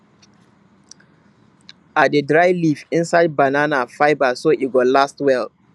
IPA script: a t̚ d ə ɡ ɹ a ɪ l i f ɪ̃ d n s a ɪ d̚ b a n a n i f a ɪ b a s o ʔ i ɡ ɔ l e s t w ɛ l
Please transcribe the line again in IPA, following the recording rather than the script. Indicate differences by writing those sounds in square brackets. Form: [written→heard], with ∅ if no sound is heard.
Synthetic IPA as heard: a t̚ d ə [ɡ→d] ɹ a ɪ l i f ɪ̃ [d→∅] n s a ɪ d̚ b a n a n [i→a] f a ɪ b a s o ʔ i ɡ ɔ l [e→a] s t w ɛ l